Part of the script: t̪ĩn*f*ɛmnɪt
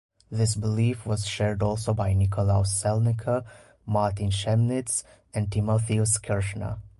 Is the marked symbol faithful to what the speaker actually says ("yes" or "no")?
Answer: no